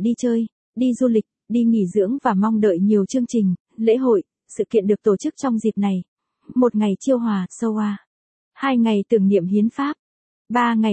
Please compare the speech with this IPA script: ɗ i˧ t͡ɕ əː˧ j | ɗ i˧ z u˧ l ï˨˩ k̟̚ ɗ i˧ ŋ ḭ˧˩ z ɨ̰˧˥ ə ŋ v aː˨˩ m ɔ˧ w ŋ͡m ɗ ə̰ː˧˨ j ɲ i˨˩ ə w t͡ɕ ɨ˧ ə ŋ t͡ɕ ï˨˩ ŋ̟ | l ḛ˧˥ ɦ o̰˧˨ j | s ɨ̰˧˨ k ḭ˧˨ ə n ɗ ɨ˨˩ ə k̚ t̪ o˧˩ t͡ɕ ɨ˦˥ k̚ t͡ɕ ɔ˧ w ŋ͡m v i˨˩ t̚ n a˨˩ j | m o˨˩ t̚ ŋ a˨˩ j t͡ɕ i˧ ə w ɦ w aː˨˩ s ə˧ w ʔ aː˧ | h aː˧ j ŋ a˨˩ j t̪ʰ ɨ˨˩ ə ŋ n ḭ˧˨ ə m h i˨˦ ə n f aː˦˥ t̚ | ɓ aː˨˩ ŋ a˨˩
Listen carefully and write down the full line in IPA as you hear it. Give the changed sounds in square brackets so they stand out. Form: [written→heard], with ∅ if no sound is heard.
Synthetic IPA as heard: ɗ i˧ t͡ɕ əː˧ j | ɗ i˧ z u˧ l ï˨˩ k̟̚ ɗ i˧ ŋ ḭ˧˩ z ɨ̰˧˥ ə ŋ v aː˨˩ m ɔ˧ w ŋ͡m ɗ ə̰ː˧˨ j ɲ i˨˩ ə w t͡ɕ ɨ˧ ə ŋ t͡ɕ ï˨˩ ŋ̟ | l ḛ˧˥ ɦ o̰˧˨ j | s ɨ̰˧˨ k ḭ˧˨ ə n ɗ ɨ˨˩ ə k̚ t̪ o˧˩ t͡ɕ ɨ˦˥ k̚ t͡ɕ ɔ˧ w ŋ͡m [v→z] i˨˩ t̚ n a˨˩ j | m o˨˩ t̚ ŋ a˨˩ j t͡ɕ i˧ ə w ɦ w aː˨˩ s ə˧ w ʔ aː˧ | h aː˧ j ŋ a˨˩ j [t̪ʰ→t̪] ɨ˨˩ ə ŋ n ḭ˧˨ ə m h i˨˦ ə n f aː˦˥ [t̚→p̚] | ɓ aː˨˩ ŋ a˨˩